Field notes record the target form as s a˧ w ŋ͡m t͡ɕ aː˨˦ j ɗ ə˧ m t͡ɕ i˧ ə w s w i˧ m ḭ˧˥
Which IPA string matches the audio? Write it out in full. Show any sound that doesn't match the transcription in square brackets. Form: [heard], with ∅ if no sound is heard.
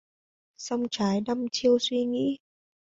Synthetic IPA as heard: s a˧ w ŋ͡m t͡ɕ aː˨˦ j ɗ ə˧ m t͡ɕ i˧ ə w s w i˧ [ŋ] ḭ˧˥